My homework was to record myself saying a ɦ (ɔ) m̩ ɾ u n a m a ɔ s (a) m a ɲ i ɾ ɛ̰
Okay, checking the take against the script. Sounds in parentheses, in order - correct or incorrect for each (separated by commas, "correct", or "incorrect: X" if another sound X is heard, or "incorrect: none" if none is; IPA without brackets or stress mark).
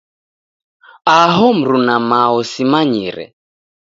correct, incorrect: i